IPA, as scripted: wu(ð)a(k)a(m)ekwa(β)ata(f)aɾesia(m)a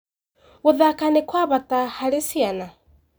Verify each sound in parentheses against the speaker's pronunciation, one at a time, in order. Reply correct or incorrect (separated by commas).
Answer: correct, correct, incorrect, correct, incorrect, incorrect